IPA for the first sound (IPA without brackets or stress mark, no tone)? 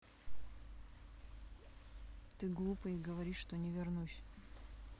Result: t̪